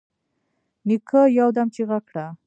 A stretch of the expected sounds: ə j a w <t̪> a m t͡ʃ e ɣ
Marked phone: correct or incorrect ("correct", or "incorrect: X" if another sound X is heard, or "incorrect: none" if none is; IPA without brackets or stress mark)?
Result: incorrect: d̪